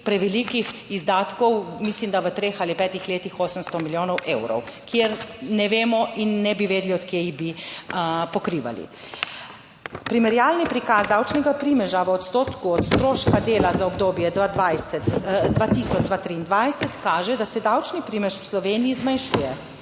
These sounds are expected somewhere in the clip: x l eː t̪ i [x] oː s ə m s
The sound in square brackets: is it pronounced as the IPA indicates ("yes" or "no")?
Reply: yes